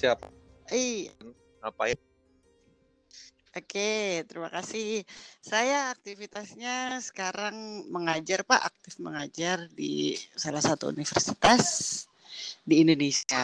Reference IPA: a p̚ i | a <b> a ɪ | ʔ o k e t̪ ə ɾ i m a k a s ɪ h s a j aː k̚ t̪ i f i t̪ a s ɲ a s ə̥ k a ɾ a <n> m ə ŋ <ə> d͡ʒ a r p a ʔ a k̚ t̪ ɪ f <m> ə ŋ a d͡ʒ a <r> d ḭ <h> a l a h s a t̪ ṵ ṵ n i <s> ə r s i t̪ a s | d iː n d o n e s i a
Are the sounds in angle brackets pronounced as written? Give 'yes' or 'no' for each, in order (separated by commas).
no, no, no, yes, yes, no, no